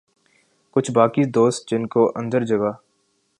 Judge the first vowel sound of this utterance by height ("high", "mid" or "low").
high